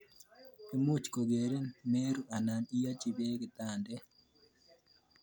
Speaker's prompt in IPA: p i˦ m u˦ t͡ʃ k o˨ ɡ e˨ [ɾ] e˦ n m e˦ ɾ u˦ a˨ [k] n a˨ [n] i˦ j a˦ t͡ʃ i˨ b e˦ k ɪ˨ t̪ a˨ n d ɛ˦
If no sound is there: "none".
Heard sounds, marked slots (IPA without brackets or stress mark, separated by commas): ɾ, none, n